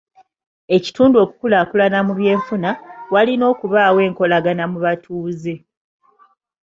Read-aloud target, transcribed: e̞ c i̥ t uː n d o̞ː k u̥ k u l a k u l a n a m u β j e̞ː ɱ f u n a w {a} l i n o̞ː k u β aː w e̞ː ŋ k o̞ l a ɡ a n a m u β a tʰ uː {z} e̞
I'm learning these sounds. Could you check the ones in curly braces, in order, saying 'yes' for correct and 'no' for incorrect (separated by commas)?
yes, yes